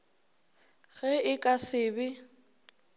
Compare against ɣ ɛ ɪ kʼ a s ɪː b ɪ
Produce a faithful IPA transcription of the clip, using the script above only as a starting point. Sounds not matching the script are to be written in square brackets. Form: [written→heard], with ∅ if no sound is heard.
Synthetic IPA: ɣ ɛ ɪ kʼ a s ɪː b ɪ